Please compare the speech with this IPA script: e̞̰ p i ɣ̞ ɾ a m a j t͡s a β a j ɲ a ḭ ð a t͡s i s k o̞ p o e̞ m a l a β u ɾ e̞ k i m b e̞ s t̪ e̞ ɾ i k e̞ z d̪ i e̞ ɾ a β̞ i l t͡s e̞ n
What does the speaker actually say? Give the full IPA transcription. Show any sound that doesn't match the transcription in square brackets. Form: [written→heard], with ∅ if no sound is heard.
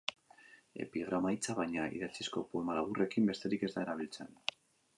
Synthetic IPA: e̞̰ p i ɣ̞ ɾ a m a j t͡s a β a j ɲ a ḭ ð a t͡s i s k o̞ p o e̞ m a l a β u [ɾ→r] e̞ k i m b e̞ s t̪ e̞ ɾ i k e̞ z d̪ [i→a] e̞ ɾ a β̞ i l t͡s e̞ n

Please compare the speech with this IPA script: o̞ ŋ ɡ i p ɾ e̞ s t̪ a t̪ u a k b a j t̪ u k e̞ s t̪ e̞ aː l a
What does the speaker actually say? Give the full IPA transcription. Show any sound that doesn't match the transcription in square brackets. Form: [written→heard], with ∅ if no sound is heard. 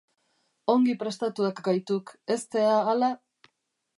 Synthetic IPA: o̞ ŋ ɡ i p ɾ e̞ s t̪ a t̪ u a k [b→ɡ] a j t̪ u k e̞ s t̪ e̞ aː l a

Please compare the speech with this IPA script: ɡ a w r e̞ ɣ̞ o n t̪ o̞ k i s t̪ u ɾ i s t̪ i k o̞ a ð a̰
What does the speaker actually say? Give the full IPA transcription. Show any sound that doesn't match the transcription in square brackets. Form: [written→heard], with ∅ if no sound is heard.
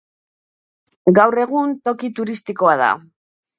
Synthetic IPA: ɡ a w r e̞ ɣ̞ [o→u] n t̪ o̞ k i [s→∅] t̪ u ɾ i s t̪ i k o̞ a ð a̰

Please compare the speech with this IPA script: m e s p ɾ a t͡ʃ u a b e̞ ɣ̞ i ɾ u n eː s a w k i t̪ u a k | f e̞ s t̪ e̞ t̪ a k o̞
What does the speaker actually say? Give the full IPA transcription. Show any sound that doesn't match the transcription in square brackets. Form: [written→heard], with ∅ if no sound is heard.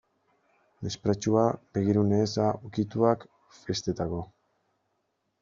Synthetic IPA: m e s p ɾ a t͡ʃ u a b e̞ ɣ̞ i ɾ u n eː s a [w→u] k i t̪ u a k | f e̞ s t̪ e̞ t̪ a k o̞

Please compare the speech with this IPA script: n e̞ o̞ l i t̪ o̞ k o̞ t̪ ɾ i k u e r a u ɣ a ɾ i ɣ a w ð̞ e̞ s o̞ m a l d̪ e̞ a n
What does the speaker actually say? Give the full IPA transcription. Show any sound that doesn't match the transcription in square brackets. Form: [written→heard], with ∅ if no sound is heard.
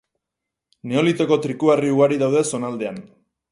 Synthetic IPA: n e̞ o̞ l i t̪ o̞ k o̞ t̪ ɾ i k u [e→a] r [a→i] u ɣ a ɾ i [ɣ→ð] a w ð̞ e̞ s o̞ [m→n] a l d̪ e̞ a n

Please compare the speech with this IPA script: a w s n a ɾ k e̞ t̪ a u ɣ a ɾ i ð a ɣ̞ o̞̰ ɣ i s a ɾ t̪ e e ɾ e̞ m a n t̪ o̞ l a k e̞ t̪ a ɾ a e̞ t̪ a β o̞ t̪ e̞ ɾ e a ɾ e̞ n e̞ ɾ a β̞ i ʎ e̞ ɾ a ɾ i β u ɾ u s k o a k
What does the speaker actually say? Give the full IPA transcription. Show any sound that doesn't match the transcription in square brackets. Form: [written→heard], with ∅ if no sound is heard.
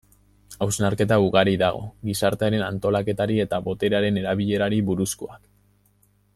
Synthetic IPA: a w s n a ɾ k e̞ t̪ a u ɣ a ɾ i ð a ɣ̞ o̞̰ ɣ i s a ɾ t̪ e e ɾ e̞ [m→n] a n t̪ o̞ l a k e̞ t̪ a ɾ [a→i] e̞ t̪ a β o̞ t̪ e̞ ɾ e a ɾ e̞ n e̞ ɾ a β̞ i ʎ e̞ ɾ a ɾ i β u ɾ u s k o a k

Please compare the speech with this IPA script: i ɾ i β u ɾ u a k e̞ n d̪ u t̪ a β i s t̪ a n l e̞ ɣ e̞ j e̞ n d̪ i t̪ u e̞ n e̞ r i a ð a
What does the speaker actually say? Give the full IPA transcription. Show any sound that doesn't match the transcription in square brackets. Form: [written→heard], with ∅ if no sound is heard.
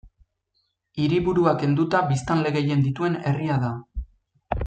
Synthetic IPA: i ɾ i β u ɾ u a k e̞ n d̪ u t̪ a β i s t̪ a n l e̞ ɣ e̞ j e̞ n d̪ i t̪ u e̞ n e̞ r i a ð a

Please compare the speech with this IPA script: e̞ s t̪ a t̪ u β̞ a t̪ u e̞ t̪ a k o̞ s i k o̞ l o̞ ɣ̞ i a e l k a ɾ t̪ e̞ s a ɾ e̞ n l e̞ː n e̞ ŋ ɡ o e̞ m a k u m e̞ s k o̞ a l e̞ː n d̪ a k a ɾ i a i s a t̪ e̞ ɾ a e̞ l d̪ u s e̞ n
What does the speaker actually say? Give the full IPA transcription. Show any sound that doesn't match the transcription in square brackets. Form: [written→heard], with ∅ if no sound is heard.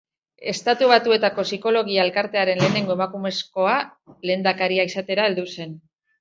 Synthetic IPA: e̞ s t̪ a t̪ u β̞ a t̪ u e̞ t̪ a k o̞ s i k o̞ l o̞ ɣ̞ i a e l k a ɾ t̪ e̞ [s→∅] a ɾ e̞ n l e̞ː n e̞ ŋ ɡ o e̞ m a k u m e̞ s k o̞ a l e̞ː n d̪ a k a ɾ i a i s a t̪ e̞ ɾ a e̞ l d̪ u s e̞ n

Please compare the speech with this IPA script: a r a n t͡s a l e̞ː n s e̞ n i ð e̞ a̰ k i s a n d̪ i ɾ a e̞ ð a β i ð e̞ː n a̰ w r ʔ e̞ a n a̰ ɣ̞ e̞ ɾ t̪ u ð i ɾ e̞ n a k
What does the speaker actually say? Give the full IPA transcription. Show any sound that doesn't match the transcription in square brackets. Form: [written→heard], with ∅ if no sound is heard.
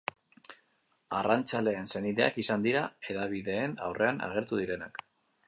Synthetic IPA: a r a n t͡s a l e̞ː n s e̞ n i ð e̞ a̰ k i s a n d̪ i ɾ a e̞ ð a β i ð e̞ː n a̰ w r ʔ e̞ a n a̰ ɣ̞ e̞ ɾ t̪ u ð i ɾ e̞ n a k

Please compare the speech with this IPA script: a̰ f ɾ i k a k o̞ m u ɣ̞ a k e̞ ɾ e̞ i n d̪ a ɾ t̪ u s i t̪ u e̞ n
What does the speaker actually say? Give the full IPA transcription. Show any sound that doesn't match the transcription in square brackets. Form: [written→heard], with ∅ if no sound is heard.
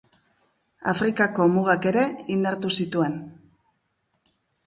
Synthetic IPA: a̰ f ɾ i k a k o̞ m u ɣ̞ a k e̞ ɾ e̞ i n d̪ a ɾ t̪ u s i t̪ u e̞ n

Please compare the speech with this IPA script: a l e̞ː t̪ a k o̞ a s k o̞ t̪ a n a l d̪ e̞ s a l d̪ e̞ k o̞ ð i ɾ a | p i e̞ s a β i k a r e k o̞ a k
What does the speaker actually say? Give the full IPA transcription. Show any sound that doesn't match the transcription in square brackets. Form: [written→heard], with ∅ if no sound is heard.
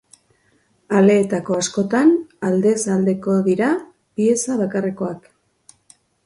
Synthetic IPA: a l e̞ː t̪ a k o̞ a s k o̞ t̪ a n a l d̪ e̞ s a l d̪ e̞ k o̞ ð i ɾ a | p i e̞ s a β [i→a] k a r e k o̞ a k

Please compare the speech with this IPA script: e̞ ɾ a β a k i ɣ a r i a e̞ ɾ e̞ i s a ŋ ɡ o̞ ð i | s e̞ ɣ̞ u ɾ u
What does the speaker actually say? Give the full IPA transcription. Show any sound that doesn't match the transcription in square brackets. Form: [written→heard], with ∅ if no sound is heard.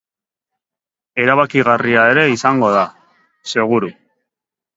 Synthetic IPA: e̞ ɾ a β a k i ɣ a r i a e̞ ɾ e̞ i s a ŋ ɡ o̞ ð [i→a] | s e̞ ɣ̞ u ɾ u

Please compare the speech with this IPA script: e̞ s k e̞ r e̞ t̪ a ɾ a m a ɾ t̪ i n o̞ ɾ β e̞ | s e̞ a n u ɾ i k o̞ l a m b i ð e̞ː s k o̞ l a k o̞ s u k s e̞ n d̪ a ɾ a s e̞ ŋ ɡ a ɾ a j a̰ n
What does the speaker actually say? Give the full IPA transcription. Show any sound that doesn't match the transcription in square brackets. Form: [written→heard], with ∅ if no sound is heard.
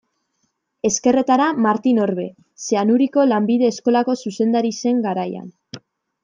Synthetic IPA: e̞ s k e̞ r e̞ t̪ a ɾ a m a ɾ t̪ i n o̞ ɾ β e̞ | s e̞ a n u ɾ i k o̞ l a m b i ð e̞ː s k o̞ l a k o̞ s u [k→∅] s e̞ n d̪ a ɾ [a→i] s e̞ ŋ ɡ a ɾ a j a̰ n

